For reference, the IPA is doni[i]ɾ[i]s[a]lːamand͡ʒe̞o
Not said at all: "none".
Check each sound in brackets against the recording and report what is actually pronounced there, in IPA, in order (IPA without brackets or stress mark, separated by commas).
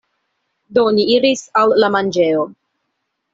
i, i, a